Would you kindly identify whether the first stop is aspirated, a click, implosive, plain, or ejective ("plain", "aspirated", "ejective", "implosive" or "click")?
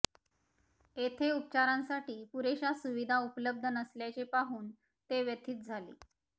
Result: aspirated